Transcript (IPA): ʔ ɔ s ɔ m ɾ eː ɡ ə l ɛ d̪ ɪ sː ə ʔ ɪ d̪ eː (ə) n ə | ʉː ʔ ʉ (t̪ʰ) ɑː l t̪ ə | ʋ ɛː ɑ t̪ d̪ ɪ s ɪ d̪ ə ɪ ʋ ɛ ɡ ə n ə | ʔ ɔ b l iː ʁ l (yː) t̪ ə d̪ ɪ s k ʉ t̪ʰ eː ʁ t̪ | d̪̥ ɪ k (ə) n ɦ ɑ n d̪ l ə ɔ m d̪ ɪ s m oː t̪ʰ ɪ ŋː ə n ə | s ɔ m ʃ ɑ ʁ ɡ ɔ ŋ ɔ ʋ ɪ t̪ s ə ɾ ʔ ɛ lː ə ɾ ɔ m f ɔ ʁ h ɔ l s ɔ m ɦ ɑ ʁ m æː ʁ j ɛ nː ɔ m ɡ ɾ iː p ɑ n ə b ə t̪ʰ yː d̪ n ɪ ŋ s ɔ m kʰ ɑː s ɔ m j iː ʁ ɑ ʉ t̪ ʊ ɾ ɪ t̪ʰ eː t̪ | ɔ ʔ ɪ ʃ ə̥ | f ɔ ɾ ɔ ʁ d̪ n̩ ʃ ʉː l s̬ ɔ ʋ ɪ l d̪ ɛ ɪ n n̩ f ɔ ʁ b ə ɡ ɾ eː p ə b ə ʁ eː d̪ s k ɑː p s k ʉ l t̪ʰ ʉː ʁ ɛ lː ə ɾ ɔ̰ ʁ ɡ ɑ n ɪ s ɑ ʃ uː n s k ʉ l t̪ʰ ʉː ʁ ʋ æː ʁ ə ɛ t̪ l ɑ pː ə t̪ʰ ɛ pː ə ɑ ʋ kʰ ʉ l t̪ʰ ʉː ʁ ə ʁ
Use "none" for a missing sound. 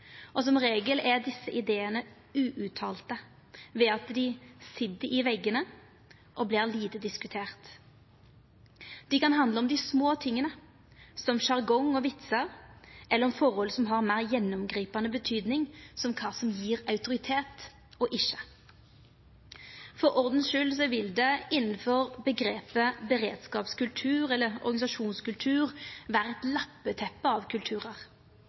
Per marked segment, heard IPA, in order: ə, t̪ʰ, iː, ɑ

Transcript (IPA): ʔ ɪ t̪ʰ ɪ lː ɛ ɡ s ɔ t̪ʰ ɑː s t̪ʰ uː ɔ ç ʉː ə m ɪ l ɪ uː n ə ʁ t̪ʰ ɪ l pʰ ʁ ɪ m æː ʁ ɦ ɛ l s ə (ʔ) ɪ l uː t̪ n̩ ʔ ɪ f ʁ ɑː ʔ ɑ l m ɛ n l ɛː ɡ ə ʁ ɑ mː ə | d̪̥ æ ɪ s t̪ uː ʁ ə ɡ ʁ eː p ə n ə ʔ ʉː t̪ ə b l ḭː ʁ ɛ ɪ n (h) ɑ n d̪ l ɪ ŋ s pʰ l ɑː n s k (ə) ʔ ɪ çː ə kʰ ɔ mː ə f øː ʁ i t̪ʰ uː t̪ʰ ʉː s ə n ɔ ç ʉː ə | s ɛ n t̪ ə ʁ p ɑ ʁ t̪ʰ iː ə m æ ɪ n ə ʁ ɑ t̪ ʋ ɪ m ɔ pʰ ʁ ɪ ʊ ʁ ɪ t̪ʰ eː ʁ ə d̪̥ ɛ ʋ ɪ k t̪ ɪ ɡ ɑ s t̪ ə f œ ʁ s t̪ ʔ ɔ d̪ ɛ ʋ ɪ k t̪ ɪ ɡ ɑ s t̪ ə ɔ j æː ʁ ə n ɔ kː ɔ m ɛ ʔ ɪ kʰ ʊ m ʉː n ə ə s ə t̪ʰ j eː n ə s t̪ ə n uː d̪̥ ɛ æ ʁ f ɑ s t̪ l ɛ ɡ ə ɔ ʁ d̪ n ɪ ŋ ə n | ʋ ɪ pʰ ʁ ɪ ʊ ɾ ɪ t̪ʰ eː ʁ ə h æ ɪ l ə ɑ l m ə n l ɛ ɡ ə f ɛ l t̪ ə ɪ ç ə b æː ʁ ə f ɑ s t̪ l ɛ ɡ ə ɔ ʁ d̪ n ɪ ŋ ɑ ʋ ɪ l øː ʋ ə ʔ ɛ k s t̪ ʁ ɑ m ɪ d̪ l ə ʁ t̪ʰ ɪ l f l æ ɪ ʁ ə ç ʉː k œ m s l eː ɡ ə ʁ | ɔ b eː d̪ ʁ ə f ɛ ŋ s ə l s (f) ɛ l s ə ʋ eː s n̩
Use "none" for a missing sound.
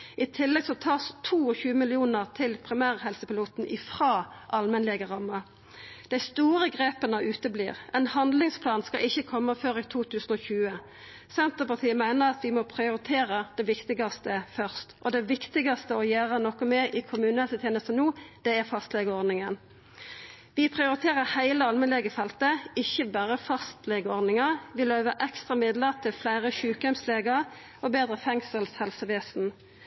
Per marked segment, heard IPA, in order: p, h, ɑ, h

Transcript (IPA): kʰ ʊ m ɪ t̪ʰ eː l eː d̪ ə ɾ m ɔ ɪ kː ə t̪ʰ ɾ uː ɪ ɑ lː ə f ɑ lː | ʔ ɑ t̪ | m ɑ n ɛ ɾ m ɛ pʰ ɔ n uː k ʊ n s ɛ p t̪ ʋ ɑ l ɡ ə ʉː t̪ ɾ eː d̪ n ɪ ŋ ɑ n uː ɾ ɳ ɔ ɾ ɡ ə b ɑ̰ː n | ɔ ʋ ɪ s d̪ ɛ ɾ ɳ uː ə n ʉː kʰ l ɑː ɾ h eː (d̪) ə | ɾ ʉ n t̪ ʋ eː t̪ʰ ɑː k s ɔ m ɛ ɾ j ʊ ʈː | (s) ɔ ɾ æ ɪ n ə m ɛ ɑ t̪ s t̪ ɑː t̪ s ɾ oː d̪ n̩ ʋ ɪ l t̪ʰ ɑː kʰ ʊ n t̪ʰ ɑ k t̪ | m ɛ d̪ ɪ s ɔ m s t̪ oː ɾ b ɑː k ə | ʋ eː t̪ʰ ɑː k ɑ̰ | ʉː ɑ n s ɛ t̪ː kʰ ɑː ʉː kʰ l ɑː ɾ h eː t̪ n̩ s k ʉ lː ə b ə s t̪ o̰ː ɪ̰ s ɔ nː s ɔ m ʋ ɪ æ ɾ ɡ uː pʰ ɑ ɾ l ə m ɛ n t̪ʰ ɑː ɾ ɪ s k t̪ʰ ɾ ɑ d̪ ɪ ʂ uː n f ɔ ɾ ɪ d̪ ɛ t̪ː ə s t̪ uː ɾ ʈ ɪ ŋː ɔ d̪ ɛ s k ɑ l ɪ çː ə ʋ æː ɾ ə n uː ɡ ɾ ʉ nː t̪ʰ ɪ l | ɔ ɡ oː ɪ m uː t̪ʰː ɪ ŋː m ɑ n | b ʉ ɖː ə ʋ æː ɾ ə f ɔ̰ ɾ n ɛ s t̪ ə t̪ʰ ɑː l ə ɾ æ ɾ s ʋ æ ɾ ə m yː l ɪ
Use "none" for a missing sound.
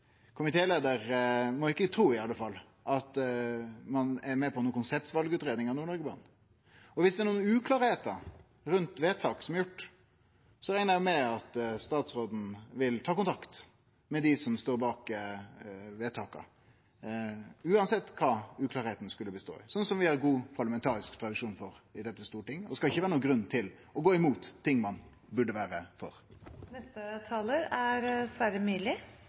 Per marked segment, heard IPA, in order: t̪, s

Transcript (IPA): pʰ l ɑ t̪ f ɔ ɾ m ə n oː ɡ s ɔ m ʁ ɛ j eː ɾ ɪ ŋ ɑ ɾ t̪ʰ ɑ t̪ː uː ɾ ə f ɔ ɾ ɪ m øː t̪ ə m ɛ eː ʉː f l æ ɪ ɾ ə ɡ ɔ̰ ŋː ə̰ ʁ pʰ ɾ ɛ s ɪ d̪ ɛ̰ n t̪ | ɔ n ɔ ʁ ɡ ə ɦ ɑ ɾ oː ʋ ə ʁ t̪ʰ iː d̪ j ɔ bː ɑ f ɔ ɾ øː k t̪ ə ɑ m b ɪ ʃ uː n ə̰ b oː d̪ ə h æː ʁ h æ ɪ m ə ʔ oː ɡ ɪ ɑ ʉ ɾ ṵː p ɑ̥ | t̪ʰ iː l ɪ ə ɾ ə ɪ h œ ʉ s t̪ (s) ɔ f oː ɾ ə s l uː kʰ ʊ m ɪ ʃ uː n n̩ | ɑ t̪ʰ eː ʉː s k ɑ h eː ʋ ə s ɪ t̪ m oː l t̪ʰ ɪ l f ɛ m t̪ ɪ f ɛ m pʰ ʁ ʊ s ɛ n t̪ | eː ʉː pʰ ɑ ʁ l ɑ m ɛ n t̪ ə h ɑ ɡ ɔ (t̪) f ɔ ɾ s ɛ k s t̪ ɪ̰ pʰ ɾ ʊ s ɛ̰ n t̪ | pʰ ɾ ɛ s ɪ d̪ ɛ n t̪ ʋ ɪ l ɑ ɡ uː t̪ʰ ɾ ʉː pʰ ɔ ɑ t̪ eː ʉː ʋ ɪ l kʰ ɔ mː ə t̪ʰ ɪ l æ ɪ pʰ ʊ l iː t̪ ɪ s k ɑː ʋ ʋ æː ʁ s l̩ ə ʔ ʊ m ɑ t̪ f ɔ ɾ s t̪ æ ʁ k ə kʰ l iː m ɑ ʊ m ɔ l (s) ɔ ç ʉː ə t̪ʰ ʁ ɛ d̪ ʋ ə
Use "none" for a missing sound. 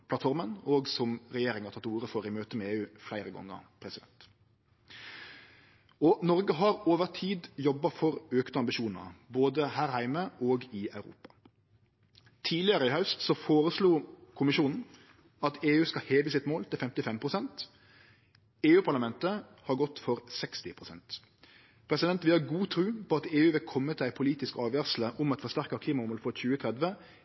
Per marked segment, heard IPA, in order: s, t̪, f

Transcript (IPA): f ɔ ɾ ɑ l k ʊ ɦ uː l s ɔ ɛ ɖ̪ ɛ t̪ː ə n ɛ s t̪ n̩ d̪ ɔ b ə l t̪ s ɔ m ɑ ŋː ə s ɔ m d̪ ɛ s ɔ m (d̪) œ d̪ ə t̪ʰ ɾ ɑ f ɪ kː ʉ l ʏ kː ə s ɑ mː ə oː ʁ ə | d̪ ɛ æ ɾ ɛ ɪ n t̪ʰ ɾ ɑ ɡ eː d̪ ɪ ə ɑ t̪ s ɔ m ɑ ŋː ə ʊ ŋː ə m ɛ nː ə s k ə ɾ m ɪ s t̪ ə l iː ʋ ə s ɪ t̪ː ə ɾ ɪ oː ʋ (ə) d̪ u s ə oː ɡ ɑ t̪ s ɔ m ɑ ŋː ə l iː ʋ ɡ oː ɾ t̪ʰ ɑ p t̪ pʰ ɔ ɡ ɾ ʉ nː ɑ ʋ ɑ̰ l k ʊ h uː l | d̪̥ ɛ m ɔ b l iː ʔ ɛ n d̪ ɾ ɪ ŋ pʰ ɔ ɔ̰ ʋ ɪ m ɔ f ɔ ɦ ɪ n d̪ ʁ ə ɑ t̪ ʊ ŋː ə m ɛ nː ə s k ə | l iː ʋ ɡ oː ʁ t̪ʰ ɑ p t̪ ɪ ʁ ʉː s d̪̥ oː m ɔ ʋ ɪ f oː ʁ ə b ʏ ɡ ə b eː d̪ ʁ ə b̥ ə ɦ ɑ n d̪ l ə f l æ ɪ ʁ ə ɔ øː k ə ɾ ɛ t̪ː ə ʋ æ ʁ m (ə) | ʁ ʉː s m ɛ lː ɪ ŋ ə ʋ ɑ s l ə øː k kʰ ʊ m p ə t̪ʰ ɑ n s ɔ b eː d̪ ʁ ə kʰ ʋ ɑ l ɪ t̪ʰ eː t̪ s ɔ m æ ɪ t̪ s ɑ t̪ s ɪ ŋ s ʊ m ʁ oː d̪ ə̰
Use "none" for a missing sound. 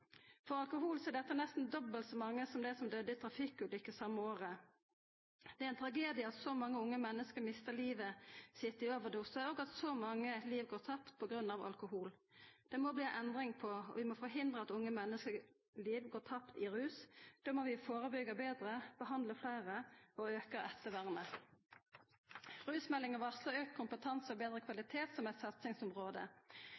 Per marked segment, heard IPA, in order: d̪, ə, ə

